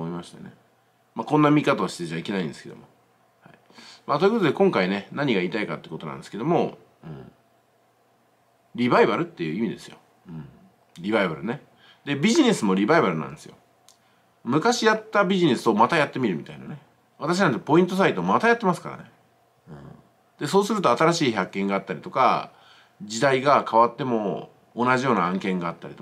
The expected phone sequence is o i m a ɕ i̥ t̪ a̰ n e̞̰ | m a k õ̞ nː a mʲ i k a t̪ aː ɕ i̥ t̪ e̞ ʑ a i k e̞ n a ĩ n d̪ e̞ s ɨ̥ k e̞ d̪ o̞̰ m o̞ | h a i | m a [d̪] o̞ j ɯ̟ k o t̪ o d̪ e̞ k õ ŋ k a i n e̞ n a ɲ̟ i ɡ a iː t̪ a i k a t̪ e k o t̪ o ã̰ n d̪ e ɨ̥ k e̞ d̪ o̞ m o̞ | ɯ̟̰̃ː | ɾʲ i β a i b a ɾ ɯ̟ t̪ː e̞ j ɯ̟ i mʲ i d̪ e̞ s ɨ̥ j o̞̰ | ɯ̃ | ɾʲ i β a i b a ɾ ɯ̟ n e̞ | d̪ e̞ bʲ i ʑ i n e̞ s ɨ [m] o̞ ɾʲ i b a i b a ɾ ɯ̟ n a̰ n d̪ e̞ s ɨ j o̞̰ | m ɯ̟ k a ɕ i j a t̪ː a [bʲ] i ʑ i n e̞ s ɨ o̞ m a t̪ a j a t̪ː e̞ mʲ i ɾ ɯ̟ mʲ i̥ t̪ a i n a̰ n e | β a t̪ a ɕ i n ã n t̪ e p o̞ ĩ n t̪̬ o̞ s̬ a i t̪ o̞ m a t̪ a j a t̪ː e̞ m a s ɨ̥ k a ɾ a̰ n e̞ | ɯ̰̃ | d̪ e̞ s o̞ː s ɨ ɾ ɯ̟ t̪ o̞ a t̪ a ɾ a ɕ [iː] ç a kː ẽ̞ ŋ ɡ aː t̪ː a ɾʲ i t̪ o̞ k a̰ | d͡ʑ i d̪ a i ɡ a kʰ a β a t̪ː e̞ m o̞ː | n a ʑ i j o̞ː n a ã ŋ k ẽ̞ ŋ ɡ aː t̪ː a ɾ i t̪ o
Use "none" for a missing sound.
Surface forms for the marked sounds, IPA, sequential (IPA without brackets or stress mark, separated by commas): t̪, m, bʲ, iː